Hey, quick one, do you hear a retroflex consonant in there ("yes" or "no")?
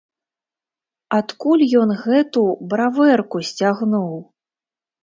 no